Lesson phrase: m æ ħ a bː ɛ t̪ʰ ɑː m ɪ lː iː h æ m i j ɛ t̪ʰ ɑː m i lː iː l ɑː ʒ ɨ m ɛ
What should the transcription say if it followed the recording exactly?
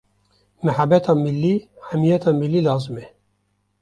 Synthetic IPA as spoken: m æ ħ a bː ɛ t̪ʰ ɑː m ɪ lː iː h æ m i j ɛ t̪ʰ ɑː m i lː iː l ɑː z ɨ m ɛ